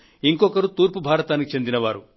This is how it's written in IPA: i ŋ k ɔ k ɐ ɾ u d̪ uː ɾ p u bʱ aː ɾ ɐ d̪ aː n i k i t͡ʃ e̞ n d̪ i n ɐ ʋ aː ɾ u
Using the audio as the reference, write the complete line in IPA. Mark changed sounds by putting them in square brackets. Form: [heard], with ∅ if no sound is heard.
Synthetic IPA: i ŋ k ɔ k ɐ ɾ u [t̪] uː ɾ p u bʱ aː ɾ ɐ [t̪] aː n i k i t͡ʃ e̞ n d̪ i n ɐ ʋ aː ɾ u